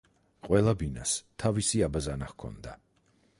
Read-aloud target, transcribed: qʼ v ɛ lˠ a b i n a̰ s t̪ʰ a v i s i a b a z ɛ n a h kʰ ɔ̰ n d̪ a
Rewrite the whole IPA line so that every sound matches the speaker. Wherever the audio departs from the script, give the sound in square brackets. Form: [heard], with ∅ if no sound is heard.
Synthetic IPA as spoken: qʼ [w] ɛ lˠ a b i n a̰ s t̪ʰ a v i s i a b a z [a] n a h kʰ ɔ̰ n d̪ a